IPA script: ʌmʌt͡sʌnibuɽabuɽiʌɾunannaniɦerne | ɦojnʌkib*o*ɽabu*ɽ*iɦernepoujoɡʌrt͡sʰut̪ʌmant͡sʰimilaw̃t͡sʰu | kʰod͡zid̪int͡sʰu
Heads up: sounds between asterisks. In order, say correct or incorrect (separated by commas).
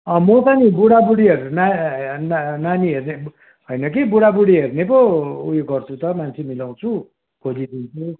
incorrect, correct